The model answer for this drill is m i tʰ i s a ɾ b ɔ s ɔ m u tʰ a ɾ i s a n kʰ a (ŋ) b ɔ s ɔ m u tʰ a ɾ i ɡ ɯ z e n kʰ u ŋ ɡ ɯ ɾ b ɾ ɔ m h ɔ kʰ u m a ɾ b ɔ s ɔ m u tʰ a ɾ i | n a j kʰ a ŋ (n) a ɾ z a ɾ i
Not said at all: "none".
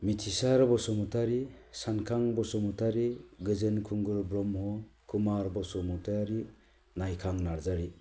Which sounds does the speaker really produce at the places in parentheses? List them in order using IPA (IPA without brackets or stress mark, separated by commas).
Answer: ŋ, n